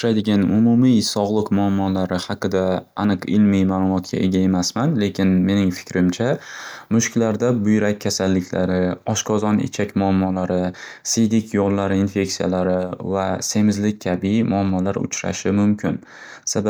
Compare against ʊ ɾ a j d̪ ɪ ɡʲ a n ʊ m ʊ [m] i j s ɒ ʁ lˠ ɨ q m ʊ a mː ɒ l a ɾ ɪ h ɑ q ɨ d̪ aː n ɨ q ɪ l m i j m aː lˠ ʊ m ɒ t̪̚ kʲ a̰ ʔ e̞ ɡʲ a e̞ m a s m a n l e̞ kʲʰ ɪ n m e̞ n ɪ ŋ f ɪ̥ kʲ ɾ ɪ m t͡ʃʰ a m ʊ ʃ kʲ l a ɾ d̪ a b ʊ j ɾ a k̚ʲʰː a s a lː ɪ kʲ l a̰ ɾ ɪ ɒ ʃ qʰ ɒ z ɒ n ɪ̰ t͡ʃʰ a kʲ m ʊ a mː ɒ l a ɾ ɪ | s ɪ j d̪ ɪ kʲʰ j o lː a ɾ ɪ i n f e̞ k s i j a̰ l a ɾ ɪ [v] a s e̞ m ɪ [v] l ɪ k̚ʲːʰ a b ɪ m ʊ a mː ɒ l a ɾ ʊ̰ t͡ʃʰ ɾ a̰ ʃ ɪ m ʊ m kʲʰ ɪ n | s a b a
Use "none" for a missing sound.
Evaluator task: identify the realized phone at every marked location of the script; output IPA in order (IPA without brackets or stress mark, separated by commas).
m, v, z